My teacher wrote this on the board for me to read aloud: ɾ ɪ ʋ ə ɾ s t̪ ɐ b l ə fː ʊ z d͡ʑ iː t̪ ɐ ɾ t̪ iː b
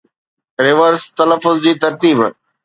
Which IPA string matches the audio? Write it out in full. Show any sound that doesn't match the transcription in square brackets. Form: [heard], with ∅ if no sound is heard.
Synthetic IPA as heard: ɾ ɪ ʋ ə ɾ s t̪ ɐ [∅] l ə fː ʊ z d͡ʑ iː t̪ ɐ ɾ t̪ iː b